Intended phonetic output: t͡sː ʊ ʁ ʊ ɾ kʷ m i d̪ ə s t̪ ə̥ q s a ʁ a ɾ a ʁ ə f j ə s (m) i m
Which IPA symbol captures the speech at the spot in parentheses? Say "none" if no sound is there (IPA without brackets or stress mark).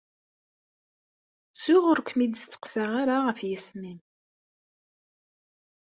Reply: m